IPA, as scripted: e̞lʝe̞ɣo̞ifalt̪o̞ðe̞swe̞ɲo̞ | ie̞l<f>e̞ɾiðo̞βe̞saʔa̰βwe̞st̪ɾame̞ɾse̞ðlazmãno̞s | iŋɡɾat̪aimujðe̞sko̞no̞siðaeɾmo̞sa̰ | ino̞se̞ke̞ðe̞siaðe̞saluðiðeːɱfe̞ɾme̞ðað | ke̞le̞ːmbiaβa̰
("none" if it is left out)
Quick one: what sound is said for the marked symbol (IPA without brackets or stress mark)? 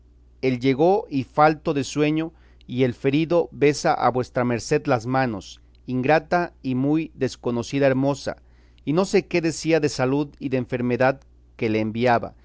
f